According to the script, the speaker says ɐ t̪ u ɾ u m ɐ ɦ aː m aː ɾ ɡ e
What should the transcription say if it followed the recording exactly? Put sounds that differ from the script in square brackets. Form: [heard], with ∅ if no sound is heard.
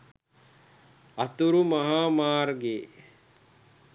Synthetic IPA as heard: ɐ t̪ u ɾ u m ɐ ɦ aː m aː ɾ ɡ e